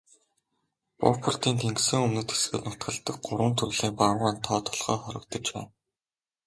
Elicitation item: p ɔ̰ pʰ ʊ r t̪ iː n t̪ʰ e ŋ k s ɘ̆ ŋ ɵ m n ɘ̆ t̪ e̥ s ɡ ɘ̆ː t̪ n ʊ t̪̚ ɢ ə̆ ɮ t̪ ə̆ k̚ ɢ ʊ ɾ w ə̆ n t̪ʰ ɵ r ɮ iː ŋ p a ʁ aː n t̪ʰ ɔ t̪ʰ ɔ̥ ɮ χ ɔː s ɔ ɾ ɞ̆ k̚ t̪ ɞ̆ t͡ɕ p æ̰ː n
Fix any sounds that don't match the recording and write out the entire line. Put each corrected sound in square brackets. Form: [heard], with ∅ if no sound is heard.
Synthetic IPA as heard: p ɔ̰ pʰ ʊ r t̪ iː n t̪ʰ e ŋ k s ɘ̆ ŋ ɵ m n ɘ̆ t̪ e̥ s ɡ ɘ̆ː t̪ n ʊ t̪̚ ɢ ə̆ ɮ t̪ ə̆ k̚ ɢ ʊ ɾ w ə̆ n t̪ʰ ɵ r ɮ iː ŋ p a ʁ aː n t̪ʰ [ɔː] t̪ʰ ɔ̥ ɮ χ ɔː [χ] ɔ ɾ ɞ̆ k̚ t̪ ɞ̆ t͡ɕ p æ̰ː n